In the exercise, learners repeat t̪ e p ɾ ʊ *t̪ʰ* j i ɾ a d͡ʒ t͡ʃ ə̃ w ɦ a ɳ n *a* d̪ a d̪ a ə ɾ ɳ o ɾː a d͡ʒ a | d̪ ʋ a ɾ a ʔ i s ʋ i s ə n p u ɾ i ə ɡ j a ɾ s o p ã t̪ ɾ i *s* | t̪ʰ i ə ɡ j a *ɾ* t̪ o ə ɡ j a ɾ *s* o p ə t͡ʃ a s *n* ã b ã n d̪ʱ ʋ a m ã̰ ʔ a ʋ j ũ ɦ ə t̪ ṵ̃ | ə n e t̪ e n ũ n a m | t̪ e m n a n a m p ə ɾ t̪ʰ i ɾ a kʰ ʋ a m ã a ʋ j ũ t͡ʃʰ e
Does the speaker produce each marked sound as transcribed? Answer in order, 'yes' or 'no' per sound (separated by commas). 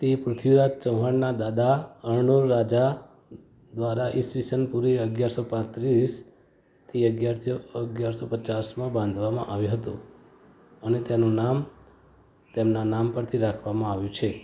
yes, yes, yes, yes, yes, no